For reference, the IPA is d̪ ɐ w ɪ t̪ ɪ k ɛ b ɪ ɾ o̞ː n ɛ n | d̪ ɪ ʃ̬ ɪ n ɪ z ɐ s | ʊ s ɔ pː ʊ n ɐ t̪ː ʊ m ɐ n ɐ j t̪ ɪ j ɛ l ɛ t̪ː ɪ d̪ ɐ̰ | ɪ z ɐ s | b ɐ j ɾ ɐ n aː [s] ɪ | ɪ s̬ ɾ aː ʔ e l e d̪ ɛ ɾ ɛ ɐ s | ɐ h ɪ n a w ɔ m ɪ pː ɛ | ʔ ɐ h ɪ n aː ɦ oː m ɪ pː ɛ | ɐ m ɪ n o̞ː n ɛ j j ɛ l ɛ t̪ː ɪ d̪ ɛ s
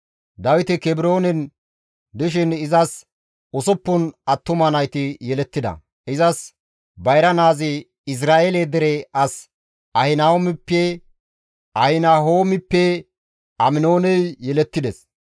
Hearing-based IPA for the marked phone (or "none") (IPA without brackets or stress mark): z